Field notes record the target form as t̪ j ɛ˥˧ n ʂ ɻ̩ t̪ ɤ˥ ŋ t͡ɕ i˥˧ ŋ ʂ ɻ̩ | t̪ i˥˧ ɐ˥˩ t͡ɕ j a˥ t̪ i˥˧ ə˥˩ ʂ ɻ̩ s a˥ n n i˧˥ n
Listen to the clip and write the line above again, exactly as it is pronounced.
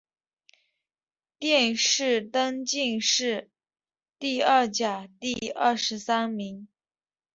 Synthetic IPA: t̪ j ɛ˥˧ n ʂ ɻ̩ t̪ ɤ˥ ŋ t͡ɕ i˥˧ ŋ ʂ ɻ̩ | t̪ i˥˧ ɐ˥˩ t͡ɕ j a˨˩ t̪ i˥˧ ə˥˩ ʂ ɻ̩ s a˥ n m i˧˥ ŋ